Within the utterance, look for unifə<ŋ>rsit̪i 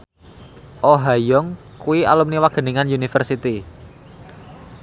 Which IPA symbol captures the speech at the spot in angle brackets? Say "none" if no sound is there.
none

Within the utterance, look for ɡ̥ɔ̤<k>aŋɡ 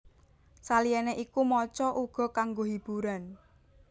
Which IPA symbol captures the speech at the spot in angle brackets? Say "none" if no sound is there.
k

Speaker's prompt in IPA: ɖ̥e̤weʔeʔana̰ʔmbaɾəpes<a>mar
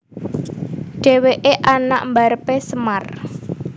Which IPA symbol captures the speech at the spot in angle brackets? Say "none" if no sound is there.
ə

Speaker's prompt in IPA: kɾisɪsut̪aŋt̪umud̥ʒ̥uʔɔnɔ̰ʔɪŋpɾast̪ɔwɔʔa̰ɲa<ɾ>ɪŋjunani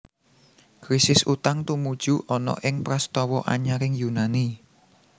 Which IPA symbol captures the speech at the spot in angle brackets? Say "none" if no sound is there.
ɾ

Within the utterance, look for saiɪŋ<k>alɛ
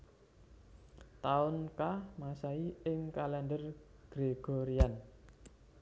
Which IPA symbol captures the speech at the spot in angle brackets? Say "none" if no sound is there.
k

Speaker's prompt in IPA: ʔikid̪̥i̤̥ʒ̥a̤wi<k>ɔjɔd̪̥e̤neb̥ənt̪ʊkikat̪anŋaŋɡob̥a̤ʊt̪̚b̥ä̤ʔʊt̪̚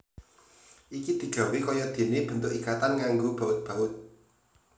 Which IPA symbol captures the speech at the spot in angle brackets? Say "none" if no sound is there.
k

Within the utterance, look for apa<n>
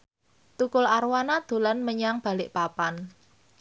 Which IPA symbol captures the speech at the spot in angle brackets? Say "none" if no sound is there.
n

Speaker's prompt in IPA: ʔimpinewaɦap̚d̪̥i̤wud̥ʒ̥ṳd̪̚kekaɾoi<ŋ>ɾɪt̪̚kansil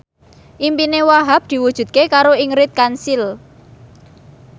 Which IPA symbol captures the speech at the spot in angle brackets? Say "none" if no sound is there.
ŋ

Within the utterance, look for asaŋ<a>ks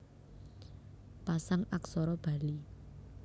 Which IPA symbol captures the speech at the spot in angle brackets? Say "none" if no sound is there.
a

